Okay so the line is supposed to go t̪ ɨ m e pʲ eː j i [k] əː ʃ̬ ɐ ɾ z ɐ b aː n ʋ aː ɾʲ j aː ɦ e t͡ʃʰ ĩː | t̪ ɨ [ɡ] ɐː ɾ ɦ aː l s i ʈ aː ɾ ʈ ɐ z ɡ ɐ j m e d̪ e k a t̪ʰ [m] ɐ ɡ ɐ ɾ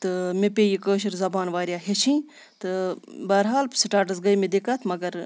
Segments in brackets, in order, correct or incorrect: correct, incorrect, correct

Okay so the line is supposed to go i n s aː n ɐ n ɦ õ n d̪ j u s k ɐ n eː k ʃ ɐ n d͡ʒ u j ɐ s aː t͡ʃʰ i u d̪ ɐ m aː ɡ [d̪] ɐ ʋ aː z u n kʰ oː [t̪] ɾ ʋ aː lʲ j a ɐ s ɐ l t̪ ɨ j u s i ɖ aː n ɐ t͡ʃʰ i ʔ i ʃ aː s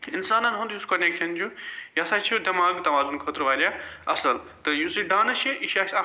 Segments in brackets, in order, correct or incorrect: incorrect, correct

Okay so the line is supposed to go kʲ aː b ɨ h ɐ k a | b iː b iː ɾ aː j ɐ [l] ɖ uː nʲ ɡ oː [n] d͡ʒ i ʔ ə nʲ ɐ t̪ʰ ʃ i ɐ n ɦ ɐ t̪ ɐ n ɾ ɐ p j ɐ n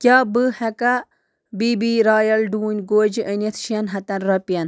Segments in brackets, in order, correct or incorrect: correct, incorrect

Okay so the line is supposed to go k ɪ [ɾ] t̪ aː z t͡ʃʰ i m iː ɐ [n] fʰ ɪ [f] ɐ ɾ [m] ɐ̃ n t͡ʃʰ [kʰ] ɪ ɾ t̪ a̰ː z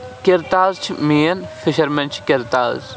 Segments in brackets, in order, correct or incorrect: correct, correct, incorrect, correct, incorrect

